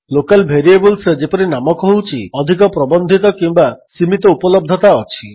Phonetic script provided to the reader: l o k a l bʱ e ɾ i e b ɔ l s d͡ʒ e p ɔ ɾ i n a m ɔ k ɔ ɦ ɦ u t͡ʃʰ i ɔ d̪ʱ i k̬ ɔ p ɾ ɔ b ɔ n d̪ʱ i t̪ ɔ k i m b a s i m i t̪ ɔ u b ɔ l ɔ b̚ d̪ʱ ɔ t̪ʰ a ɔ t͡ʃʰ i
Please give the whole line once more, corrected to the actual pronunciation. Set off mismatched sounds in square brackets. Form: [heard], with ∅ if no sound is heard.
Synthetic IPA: l o k a l bʱ e ɾ i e b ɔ l s d͡ʒ e p ɔ ɾ i n a m ɔ k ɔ ɦ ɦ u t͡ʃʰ i ɔ d̪ʱ i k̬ ɔ p ɾ ɔ b ɔ n d̪ʱ i t̪ ɔ k i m b a s i m i t̪ ɔ u [p] ɔ l ɔ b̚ d̪ʱ ɔ [t̪] a ɔ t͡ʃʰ i